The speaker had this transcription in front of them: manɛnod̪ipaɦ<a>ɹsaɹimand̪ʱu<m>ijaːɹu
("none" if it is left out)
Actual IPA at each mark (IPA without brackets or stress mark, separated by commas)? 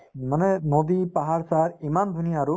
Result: a, n